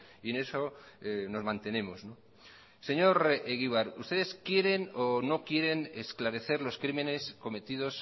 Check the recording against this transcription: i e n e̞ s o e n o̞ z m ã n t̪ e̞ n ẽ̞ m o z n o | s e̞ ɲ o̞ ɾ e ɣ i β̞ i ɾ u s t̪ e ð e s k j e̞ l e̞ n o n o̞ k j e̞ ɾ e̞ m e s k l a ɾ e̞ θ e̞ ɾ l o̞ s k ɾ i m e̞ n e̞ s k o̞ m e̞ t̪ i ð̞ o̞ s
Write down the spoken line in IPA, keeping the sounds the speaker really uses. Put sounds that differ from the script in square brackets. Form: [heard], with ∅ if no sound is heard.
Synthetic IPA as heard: i e n e̞ s o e n o̞ z m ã n t̪ e̞ n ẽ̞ m o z n o | s e̞ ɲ o̞ ɾ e ɣ i β̞ [a] ɾ u s t̪ e ð e s k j e̞ [ɾ] e̞ n o n o̞ k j e̞ ɾ e̞ [n] e s k l a ɾ e̞ θ e̞ ɾ l o̞ s k ɾ i m e̞ n e̞ s k o̞ m e̞ t̪ i ð̞ o̞ s

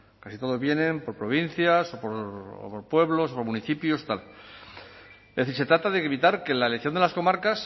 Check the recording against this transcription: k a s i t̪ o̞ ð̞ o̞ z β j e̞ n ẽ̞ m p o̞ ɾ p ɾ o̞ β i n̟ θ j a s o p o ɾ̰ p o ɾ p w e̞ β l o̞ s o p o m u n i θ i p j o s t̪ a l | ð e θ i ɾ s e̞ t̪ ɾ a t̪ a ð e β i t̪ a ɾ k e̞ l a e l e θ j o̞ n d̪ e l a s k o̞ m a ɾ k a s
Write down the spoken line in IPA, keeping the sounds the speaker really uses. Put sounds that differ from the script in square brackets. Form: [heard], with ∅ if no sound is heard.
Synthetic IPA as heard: k a s i t̪ o̞ ð̞ o̞ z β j e̞ n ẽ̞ m p o̞ ɾ p ɾ o̞ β i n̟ θ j a s o p o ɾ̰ p o ɾ p w e̞ β l o̞ s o p o m u n i θ i p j o s t̪ a l | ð e θ i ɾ s e̞ t̪ ɾ a t̪ a ð e β i t̪ a ɾ k e̞ l a e l e θ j o̞ n d̪ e l a s k o̞ m a ɾ k a s

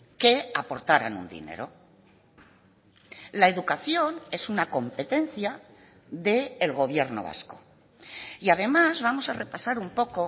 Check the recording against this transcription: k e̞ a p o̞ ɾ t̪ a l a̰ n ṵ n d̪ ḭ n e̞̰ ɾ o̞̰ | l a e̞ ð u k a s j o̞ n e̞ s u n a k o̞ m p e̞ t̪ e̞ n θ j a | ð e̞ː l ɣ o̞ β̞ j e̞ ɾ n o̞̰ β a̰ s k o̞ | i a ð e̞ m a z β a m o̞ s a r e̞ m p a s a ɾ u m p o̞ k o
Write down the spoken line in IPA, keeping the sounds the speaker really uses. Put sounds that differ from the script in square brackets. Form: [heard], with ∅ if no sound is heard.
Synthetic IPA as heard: k e̞ a p o̞ ɾ t̪ a [ɾ] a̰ n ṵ n d̪ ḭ n e̞̰ ɾ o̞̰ | l a e̞ ð u k a [θ] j o̞ n e̞ s u n a k o̞ m p e̞ t̪ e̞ n θ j a | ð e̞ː l ɣ o̞ β̞ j e̞ ɾ n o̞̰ β a̰ s k o̞ | i a ð e̞ m a z β a m o̞ s a r e̞ [∅] p a s a ɾ u m p o̞ k o

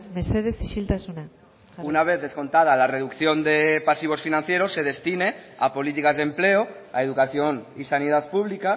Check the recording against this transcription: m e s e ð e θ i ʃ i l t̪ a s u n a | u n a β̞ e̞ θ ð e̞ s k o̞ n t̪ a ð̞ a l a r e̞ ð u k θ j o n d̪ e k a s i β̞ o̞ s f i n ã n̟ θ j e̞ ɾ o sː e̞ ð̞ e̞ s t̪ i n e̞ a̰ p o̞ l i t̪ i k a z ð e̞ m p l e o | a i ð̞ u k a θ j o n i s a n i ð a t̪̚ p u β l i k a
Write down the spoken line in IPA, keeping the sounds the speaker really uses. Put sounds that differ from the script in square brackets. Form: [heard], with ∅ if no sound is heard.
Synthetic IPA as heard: m e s e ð e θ i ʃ i l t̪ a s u n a | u n a β̞ e̞ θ ð e̞ s k o̞ n t̪ a ð̞ a l a r e̞ ð u k θ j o n d̪ e [p] a s i β̞ o̞ s f i n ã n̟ θ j e̞ ɾ o sː e̞ ð̞ e̞ s t̪ i n e̞ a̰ p o̞ l i t̪ i k a z ð e̞ m p l e o | a [e] ð̞ u k a θ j o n i s a n i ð a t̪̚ p u β l i k a

